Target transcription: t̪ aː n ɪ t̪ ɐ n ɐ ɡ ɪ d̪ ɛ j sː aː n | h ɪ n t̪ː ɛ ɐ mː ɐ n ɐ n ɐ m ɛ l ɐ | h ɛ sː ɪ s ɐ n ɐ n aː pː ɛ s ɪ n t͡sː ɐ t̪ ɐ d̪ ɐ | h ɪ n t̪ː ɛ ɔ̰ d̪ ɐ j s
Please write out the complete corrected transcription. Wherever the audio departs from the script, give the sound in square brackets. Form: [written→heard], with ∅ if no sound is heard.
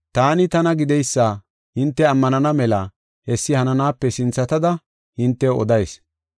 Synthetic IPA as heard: t̪ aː n ɪ t̪ ɐ n ɐ ɡ ɪ d̪ ɛ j sː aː [n→∅] | h ɪ n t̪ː ɛ ɐ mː ɐ n ɐ n ɐ m ɛ l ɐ | h ɛ sː ɪ [s→h] ɐ n ɐ n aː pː ɛ s ɪ n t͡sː ɐ t̪ ɐ d̪ ɐ | h ɪ n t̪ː ɛ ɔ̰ d̪ ɐ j s